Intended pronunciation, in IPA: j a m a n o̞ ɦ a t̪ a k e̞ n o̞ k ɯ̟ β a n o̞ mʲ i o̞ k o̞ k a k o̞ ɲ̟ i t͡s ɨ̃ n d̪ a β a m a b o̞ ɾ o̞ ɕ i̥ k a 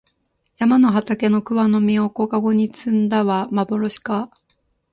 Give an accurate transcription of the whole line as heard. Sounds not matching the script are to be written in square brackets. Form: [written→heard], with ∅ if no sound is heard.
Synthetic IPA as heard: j a m a n o̞ ɦ a t̪ a k e̞ n o̞ k ɯ̟ β a n o̞ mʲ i o̞ k o̞ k a [k→ɡ] o̞ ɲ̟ i t͡s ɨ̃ n d̪ a β a m a b o̞ ɾ o̞ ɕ i̥ k a